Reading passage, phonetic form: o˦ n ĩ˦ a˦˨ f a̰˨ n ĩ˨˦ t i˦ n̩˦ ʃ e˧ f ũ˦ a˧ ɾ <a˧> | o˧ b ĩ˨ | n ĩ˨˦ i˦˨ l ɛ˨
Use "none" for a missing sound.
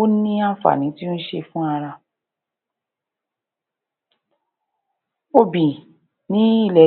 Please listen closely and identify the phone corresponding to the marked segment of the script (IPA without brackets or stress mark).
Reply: a˧